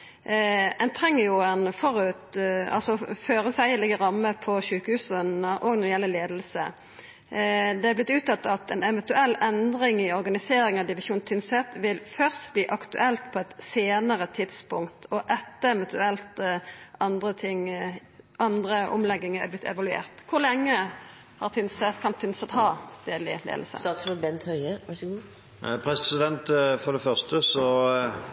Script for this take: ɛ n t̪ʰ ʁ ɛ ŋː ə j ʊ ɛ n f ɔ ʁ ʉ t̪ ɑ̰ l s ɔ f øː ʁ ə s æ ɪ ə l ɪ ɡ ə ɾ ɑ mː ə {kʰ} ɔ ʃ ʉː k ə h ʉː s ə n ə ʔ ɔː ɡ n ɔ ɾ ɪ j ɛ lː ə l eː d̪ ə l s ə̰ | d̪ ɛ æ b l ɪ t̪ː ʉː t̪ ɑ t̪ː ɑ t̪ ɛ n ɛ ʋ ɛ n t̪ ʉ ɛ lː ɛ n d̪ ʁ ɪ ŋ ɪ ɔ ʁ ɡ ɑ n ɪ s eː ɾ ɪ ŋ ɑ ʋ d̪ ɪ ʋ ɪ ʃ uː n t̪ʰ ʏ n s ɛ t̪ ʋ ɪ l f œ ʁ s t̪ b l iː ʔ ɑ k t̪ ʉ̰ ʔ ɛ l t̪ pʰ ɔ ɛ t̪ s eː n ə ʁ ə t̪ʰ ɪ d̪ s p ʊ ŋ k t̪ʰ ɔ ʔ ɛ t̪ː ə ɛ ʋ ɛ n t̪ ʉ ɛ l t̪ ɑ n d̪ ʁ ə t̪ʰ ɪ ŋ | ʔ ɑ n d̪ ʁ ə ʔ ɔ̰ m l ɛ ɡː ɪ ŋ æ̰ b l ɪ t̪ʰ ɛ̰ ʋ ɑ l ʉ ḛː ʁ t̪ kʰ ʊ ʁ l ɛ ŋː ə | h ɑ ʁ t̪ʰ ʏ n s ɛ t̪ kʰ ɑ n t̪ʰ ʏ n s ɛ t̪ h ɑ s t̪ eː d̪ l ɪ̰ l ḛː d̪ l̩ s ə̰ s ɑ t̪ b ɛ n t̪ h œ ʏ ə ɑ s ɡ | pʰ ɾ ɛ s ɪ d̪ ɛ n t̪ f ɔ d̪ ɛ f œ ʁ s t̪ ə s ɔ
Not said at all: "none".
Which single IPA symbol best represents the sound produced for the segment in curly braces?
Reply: pʰ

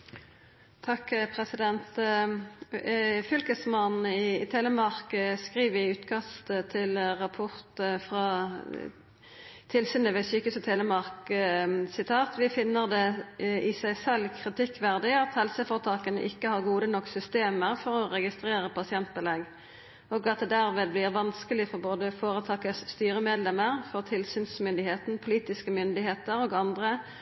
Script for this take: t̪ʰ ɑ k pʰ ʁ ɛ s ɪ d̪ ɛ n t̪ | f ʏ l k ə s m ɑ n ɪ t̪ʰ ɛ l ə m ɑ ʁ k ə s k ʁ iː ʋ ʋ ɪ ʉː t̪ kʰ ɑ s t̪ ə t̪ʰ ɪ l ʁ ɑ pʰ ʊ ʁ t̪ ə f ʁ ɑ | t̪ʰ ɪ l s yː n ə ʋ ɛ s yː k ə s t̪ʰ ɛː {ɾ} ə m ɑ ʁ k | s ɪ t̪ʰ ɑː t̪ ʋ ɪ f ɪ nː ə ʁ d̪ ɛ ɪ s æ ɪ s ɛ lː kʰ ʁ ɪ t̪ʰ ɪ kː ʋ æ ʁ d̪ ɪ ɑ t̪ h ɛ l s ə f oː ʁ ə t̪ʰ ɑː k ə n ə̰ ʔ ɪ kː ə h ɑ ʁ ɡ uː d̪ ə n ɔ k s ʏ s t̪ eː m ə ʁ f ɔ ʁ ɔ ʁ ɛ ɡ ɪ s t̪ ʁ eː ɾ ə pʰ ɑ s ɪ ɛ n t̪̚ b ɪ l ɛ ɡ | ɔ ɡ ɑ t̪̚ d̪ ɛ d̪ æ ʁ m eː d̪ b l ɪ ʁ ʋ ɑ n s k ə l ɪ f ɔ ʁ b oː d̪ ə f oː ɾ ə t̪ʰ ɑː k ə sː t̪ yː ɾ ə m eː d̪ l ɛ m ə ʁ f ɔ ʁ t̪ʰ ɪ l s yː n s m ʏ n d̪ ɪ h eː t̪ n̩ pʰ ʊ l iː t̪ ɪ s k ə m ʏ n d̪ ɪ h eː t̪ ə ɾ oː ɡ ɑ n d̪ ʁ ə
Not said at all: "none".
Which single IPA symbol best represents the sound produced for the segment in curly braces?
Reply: l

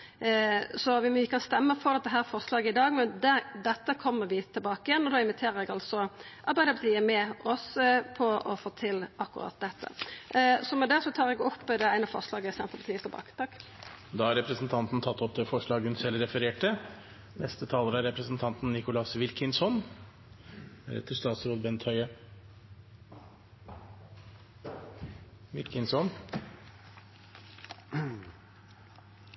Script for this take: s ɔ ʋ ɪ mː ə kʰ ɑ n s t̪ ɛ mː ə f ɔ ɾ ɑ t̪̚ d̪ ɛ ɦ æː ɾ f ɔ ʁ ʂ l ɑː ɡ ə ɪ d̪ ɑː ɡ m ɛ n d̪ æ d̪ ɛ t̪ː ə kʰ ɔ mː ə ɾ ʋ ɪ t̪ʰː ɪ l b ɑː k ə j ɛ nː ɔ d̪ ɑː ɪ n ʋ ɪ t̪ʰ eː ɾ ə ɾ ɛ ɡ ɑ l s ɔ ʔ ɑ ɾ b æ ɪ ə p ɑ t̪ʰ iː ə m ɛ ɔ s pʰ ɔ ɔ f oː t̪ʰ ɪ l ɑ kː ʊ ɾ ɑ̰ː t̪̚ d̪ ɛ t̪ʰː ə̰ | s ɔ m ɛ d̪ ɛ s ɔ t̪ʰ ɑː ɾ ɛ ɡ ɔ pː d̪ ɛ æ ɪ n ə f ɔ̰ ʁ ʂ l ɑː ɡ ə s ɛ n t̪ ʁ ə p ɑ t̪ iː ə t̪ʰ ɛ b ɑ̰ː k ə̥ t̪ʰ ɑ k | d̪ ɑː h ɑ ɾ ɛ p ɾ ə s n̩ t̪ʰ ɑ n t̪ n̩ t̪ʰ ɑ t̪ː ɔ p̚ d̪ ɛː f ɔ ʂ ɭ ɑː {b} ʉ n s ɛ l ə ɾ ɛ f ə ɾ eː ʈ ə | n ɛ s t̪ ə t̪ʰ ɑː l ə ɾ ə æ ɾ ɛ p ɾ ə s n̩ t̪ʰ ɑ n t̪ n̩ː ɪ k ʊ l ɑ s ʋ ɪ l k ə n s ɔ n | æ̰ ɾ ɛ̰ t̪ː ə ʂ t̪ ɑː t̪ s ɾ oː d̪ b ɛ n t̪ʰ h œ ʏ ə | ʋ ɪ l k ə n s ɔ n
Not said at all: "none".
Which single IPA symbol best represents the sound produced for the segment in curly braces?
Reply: ɡ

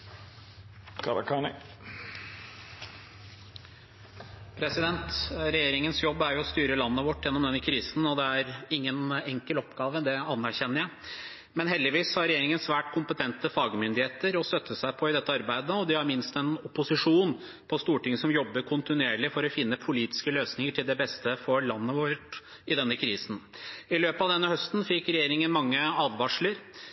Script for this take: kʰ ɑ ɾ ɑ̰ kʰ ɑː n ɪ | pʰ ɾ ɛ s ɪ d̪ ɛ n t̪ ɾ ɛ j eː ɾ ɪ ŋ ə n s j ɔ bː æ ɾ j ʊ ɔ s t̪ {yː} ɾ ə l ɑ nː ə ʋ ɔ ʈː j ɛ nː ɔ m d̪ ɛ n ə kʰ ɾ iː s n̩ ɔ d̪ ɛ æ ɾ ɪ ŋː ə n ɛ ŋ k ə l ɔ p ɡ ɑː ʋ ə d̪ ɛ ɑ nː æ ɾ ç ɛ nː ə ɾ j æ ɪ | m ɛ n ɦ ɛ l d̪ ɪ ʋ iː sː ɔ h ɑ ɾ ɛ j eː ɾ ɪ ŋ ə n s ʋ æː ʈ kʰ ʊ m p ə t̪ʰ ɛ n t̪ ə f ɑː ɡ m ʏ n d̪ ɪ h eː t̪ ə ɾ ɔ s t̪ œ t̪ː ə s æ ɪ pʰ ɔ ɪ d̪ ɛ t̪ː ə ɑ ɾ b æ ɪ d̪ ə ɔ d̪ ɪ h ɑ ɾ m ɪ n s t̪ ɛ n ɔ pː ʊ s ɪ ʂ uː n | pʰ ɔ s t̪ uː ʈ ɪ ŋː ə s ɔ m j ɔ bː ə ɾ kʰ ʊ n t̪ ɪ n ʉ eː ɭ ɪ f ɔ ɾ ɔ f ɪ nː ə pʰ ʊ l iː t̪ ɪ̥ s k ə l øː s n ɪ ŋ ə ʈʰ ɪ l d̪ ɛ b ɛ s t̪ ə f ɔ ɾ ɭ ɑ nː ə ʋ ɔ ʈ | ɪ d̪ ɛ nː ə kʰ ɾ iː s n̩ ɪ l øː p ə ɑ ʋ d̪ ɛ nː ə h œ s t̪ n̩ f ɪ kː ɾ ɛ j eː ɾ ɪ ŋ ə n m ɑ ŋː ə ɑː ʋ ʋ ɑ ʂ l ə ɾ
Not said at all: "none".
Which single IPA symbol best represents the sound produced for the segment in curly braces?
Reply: yː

